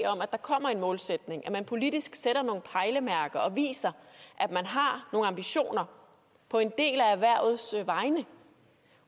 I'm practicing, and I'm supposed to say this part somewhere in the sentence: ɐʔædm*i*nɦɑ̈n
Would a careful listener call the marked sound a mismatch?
yes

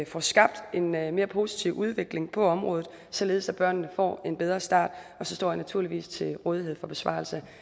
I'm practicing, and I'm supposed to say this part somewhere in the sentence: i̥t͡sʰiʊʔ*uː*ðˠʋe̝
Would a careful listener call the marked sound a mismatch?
yes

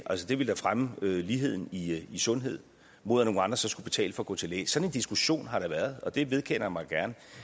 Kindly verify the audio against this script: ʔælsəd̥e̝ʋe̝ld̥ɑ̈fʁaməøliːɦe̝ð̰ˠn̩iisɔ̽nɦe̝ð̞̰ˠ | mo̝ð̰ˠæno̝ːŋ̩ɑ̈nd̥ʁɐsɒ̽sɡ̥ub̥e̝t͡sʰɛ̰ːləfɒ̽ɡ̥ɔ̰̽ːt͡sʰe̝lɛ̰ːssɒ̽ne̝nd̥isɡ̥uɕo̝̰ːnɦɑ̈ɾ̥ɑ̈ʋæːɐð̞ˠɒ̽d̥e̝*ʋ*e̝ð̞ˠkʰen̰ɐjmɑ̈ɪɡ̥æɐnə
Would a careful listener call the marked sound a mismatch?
no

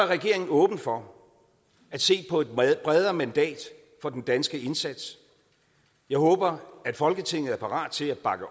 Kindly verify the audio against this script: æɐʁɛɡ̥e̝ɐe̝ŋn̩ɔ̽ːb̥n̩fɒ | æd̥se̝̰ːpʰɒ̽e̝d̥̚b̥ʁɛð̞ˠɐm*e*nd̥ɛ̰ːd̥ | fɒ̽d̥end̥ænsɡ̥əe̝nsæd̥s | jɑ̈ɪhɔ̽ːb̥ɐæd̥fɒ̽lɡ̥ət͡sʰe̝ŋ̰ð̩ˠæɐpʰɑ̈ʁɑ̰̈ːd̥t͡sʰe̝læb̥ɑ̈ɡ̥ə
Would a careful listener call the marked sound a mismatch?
yes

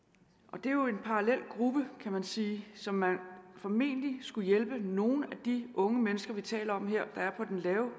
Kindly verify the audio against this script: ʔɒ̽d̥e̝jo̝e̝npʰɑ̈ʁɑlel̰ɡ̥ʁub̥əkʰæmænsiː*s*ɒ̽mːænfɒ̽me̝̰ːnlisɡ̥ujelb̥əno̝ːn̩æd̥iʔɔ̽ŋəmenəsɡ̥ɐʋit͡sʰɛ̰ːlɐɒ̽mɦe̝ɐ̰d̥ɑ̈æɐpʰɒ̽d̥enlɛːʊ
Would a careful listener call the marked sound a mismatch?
no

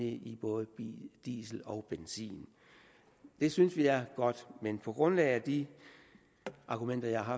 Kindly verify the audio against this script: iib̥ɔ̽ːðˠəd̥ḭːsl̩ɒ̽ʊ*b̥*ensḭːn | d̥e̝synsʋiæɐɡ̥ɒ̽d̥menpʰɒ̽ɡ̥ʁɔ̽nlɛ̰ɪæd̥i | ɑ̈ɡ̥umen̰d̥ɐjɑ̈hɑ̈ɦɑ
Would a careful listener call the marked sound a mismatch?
no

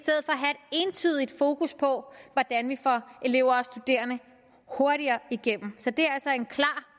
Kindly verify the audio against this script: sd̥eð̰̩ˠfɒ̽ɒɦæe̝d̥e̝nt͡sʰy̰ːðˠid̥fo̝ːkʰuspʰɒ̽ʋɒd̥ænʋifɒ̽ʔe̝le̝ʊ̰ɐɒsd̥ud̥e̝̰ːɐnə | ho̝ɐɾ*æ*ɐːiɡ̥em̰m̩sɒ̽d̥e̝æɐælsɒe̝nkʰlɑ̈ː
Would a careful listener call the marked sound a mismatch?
yes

